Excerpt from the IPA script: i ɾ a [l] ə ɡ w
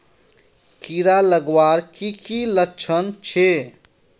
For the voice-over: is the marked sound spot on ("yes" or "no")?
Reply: yes